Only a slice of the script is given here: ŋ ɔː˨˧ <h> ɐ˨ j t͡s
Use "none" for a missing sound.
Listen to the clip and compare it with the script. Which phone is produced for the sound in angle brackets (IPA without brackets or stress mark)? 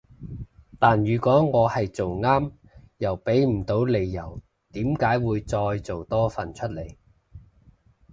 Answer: h